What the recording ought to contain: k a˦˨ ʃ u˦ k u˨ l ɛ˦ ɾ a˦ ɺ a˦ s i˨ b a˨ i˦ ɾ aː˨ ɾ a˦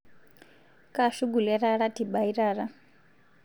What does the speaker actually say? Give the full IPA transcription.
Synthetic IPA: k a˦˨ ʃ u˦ ɡ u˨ l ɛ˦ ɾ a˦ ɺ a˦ t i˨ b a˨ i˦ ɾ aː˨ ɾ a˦